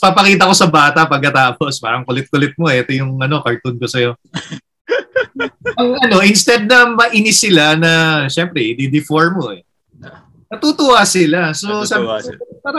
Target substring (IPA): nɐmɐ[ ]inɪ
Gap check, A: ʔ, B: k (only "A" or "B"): A